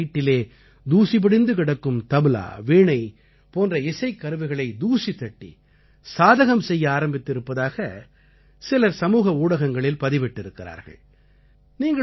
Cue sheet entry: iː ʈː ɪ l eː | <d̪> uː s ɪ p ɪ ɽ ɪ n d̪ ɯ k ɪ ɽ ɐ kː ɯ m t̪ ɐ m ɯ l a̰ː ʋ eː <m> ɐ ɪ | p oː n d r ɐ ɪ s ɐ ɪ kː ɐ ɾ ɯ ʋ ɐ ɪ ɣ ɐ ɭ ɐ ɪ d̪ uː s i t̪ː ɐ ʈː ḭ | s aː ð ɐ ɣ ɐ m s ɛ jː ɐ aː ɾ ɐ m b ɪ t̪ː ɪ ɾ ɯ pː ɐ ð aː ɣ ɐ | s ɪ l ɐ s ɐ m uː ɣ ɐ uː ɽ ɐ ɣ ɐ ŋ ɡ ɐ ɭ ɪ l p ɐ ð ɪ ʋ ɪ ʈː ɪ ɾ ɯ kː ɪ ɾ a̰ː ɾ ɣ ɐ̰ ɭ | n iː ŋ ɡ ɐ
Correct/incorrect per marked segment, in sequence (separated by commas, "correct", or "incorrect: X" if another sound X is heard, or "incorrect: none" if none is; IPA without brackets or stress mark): correct, incorrect: ɳ